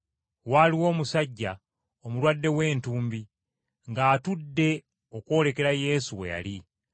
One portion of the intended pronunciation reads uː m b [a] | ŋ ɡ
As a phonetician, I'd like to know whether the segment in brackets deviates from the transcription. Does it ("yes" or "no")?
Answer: yes